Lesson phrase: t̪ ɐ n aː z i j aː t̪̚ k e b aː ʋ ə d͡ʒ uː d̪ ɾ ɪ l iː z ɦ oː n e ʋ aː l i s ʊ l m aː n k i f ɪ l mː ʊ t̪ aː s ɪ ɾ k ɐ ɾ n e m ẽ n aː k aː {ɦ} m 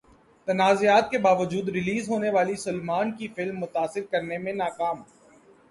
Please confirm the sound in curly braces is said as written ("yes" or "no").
no